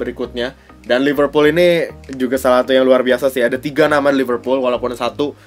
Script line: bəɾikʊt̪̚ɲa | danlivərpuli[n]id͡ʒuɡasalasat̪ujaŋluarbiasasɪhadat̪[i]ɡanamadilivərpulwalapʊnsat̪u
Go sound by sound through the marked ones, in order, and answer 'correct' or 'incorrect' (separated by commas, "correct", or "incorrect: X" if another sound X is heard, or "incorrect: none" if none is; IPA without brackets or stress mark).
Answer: correct, correct